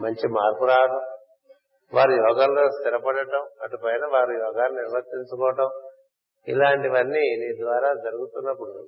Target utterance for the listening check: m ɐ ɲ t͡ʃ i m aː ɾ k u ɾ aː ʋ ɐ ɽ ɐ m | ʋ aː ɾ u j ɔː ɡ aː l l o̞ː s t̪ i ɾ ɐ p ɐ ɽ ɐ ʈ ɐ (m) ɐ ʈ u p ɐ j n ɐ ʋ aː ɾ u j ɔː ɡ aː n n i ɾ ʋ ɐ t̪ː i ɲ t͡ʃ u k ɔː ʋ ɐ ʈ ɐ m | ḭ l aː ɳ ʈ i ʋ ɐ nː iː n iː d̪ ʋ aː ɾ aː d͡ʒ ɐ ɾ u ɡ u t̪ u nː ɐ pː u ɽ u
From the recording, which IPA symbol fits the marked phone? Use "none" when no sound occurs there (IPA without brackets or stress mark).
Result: m